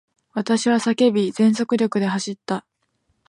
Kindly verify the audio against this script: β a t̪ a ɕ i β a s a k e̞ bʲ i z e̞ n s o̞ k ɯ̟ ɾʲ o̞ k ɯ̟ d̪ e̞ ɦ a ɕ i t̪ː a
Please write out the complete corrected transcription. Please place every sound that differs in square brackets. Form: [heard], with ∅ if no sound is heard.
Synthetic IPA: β a t̪ a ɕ i β a s a k e̞ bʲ i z [ẽ̞] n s o̞ k ɯ̟ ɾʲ o̞ k ɯ̟ d̪ e̞ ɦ a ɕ i t̪ː a